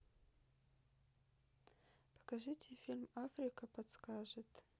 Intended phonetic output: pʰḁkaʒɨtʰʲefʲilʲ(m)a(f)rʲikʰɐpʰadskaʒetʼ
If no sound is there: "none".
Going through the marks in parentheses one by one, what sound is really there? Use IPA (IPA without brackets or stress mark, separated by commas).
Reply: m, f